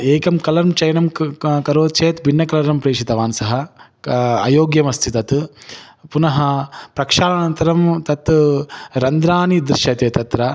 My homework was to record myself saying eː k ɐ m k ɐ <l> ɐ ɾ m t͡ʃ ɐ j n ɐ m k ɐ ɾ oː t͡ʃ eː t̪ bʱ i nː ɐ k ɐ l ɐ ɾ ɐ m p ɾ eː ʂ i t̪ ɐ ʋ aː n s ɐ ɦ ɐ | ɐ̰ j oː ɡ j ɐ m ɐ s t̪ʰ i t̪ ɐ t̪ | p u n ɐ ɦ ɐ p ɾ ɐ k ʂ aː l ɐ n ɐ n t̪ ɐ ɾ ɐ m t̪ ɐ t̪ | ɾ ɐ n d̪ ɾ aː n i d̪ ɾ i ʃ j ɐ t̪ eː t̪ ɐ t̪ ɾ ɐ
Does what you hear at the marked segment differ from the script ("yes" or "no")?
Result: no